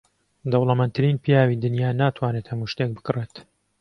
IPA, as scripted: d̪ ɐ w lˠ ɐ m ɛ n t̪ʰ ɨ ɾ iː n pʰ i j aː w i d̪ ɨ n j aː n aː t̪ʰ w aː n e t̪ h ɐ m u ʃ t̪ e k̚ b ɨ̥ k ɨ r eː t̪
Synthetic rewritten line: d̪ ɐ w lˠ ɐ m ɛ n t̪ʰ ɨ ɾ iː n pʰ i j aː w i d̪ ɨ n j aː n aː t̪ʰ w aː n e t̪ h ɐ m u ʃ t̪ e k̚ b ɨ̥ k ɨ r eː t̪